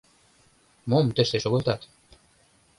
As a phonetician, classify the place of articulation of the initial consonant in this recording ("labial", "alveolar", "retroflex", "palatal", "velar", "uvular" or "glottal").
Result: labial